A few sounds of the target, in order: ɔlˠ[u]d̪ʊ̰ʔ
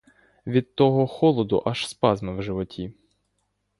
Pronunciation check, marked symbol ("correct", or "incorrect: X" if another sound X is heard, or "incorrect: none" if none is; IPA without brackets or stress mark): incorrect: ɔ